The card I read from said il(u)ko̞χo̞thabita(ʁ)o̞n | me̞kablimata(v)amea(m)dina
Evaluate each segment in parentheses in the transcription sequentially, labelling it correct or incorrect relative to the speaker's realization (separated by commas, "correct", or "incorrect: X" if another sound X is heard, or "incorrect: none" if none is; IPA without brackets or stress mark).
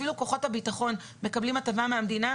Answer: correct, incorrect: χ, correct, correct